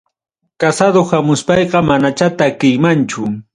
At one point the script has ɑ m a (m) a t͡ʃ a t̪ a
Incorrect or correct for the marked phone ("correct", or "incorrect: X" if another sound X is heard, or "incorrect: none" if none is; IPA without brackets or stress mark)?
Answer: incorrect: n